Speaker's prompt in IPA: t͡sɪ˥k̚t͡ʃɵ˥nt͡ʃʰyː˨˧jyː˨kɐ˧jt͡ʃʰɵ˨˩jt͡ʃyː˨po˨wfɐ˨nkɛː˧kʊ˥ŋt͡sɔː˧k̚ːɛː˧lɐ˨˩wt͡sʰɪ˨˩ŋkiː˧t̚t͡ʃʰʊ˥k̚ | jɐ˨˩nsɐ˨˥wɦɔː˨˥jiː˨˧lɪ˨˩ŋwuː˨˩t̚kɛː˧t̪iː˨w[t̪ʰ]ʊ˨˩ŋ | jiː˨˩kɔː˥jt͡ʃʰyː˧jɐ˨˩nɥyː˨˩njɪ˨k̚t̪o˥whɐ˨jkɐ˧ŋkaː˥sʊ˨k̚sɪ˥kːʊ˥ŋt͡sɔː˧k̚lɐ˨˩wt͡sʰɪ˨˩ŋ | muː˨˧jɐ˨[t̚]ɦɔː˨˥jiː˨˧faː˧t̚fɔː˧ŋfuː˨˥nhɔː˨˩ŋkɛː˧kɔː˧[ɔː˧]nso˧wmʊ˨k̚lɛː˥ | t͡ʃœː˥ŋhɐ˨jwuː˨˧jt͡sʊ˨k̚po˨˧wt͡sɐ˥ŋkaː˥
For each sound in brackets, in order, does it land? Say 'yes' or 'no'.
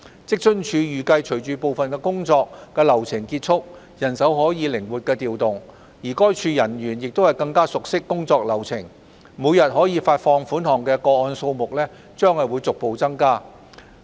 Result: no, yes, yes

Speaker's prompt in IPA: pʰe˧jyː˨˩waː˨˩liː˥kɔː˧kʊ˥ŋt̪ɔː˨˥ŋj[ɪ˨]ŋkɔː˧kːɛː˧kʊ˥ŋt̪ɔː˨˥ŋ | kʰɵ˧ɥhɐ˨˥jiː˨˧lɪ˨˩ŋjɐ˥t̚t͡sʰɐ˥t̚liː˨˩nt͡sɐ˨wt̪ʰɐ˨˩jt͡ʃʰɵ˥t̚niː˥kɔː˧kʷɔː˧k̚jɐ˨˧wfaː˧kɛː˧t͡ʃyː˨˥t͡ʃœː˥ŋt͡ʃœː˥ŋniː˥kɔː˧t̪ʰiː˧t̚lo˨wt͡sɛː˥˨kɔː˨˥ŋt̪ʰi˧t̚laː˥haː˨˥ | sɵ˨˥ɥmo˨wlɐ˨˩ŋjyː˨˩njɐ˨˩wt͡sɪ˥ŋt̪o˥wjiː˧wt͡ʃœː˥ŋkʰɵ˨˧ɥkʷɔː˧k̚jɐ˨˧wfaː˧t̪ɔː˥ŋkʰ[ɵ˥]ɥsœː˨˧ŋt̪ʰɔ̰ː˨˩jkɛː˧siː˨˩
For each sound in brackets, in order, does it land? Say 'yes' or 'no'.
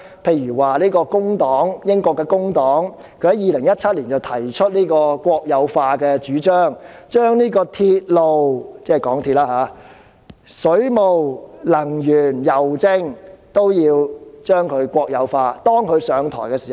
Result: no, no

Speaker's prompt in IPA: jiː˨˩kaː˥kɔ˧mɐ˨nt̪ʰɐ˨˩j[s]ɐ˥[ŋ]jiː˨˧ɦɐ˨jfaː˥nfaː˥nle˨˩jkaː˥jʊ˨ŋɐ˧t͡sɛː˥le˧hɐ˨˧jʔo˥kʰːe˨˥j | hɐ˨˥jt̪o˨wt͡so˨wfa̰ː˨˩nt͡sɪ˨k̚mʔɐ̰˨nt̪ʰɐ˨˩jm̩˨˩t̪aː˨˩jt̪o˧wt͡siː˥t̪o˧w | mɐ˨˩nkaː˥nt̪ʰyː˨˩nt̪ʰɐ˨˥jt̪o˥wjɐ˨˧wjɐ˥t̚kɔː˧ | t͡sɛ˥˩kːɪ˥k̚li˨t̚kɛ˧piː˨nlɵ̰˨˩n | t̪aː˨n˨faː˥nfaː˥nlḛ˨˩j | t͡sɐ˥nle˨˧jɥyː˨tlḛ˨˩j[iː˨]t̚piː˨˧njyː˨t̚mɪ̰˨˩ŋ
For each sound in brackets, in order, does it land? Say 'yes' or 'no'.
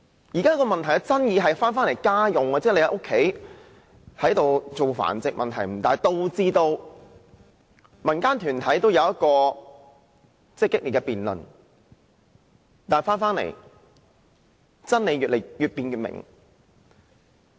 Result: no, no, no

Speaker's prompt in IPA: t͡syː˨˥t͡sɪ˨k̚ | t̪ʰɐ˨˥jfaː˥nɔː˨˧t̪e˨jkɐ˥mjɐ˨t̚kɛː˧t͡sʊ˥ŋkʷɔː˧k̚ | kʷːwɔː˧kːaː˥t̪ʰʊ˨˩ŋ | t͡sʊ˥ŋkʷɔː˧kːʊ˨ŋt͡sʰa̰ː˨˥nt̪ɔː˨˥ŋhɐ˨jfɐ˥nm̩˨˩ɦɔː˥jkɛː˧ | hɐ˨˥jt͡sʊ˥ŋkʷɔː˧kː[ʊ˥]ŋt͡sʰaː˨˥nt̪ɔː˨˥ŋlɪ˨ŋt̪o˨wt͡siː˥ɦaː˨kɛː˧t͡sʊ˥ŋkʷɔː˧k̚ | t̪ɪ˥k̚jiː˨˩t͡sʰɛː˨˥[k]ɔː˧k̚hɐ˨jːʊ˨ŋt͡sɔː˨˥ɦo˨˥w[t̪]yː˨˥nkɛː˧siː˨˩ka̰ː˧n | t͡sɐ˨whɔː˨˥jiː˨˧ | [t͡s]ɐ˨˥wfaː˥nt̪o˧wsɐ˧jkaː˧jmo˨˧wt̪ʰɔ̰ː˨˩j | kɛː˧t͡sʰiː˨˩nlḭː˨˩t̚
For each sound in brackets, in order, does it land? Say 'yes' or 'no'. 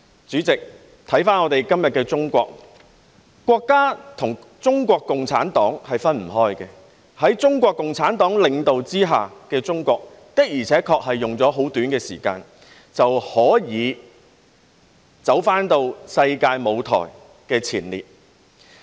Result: no, no, yes, yes

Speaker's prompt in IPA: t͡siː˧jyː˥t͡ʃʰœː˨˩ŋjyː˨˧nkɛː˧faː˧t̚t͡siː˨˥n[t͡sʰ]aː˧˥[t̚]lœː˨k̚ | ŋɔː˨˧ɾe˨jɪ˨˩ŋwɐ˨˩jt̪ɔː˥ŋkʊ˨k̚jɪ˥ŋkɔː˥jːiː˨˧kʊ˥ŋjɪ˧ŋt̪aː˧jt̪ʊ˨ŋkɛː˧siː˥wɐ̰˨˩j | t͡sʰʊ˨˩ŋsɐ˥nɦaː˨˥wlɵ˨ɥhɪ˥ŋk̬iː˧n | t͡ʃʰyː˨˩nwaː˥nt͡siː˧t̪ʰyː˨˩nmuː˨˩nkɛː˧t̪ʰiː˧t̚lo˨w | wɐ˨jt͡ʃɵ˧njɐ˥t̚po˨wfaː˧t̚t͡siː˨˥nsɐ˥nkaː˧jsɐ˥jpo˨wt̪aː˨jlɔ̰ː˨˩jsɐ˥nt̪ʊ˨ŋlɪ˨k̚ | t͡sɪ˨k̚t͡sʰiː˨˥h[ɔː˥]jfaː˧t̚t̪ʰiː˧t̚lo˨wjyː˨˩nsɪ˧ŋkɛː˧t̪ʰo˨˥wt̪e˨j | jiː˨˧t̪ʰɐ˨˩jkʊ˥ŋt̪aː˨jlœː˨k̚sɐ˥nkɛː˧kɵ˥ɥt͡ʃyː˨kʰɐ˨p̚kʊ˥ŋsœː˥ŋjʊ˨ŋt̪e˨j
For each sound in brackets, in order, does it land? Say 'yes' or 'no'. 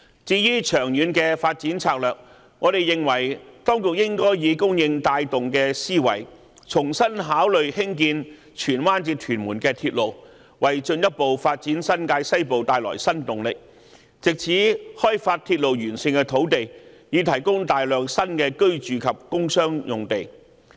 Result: yes, no, yes

